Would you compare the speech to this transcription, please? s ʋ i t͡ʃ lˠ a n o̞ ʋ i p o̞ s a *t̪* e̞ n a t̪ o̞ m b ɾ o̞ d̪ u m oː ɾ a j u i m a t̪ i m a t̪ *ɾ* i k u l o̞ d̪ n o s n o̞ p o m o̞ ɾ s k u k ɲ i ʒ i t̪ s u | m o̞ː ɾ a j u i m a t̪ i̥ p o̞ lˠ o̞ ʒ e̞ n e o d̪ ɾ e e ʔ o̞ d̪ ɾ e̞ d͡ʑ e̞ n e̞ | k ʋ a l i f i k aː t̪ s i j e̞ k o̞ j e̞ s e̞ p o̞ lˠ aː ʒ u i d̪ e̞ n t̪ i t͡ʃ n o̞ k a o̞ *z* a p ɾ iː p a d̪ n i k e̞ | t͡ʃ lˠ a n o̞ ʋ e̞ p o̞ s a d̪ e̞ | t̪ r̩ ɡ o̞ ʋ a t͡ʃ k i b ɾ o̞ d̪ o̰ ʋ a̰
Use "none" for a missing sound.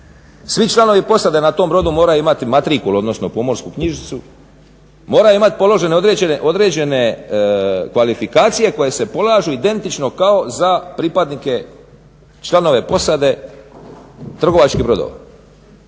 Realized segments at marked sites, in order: d̪, ɾ, z

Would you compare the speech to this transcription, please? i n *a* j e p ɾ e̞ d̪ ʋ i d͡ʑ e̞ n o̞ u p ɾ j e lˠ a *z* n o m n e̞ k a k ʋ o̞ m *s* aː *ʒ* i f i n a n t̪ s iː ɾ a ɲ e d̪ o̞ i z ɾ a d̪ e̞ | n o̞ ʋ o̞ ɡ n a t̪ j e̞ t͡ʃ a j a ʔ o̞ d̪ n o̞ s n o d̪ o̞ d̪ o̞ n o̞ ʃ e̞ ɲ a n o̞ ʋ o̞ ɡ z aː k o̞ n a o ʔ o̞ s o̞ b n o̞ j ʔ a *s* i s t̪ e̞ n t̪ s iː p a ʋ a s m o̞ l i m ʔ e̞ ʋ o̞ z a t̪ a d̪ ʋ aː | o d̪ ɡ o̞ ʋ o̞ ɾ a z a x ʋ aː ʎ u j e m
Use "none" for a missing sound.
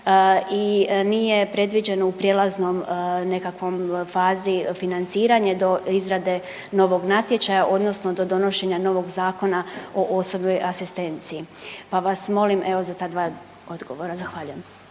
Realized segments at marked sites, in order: i, z, f, z, s

